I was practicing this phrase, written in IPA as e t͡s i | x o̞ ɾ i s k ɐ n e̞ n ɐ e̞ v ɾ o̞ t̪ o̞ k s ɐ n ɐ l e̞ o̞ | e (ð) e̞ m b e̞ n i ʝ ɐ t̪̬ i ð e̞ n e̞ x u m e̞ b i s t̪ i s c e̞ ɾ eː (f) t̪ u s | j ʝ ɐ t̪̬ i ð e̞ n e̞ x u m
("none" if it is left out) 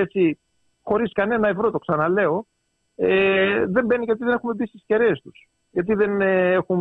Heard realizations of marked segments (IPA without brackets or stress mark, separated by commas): ð, s